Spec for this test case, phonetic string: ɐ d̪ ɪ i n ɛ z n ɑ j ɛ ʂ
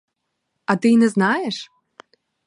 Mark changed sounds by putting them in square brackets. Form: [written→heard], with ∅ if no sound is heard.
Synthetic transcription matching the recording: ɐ [d̪→t̪] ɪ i n ɛ z n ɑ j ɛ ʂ